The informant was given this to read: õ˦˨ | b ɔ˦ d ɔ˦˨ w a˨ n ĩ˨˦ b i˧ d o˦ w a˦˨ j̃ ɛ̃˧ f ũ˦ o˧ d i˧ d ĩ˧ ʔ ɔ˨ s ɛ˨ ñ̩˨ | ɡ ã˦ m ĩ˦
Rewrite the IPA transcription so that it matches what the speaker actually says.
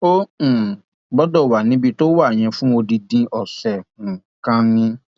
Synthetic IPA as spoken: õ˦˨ | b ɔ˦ d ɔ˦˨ w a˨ n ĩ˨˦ b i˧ t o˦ w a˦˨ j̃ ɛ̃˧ f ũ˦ o˧ d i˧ d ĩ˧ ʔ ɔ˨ s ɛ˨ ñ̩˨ | k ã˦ n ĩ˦